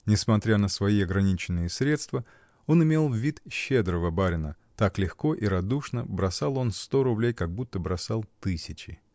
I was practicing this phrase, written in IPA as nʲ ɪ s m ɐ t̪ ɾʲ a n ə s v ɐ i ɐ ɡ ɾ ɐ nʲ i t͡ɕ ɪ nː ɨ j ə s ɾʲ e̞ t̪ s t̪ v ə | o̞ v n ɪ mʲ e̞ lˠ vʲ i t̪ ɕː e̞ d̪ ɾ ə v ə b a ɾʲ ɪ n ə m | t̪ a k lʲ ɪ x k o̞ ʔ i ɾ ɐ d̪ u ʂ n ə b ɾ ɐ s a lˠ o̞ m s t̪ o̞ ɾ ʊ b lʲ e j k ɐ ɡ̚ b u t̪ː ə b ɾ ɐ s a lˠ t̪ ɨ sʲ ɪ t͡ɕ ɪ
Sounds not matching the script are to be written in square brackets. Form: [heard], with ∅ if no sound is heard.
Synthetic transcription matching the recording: nʲ ɪ s m ɐ t̪ ɾʲ a n ə s v ɐ i ɐ ɡ ɾ ɐ nʲ i t͡ɕ ɪ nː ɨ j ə s ɾʲ e̞ t̪ s t̪ v ə | o̞ [∅] n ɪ mʲ e̞ lˠ vʲ i t̪ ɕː e̞ d̪ ɾ ə v ə b a ɾʲ ɪ n ə [∅] | t̪ a k lʲ ɪ x k o̞ ʔ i ɾ ɐ d̪ u ʂ n ə b ɾ ɐ s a lˠ o̞ [n] s t̪ o̞ ɾ ʊ b lʲ e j k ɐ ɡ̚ b u t̪ː ə b ɾ ɐ s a lˠ t̪ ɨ sʲ ɪ t͡ɕ ɪ